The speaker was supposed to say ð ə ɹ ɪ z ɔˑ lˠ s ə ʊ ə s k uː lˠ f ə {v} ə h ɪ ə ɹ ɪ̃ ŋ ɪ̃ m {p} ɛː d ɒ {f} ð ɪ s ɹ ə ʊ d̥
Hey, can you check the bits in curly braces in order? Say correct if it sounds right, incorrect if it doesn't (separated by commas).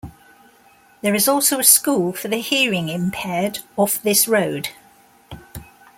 incorrect, incorrect, correct